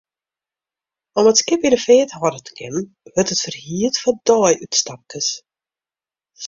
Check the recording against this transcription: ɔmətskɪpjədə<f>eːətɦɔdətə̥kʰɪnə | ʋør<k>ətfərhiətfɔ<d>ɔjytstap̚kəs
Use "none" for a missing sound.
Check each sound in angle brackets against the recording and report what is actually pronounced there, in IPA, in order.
f, t, d

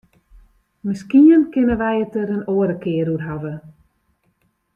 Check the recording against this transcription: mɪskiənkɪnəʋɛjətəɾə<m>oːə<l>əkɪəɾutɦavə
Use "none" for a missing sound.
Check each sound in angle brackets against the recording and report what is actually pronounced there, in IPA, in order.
n, ɾ

